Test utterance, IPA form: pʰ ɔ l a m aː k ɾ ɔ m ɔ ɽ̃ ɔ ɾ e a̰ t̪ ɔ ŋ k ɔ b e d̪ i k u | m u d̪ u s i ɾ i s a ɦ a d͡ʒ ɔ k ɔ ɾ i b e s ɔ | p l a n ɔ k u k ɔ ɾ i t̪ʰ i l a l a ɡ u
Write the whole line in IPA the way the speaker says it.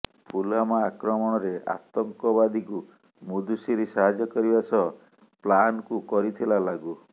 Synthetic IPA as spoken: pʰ u l a m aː k ɾ ɔ m ɔ ɽ̃ ɔ ɾ e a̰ t̪ ɔ ŋ k ɔ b a d̪ i k u | m u d̪ u s i ɾ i s a ɦ a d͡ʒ ɔ k ɔ ɾ i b a s ɔ | p l a n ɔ k u k ɔ ɾ i t̪ʰ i l a l a ɡ u